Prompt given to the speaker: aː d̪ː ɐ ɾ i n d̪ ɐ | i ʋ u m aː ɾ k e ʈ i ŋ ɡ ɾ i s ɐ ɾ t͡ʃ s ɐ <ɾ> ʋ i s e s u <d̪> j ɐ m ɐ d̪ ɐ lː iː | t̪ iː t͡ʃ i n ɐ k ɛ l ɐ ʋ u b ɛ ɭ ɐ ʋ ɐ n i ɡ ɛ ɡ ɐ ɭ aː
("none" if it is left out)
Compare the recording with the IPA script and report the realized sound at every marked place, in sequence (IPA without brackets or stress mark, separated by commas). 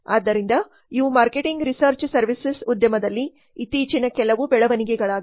ɾ, d̪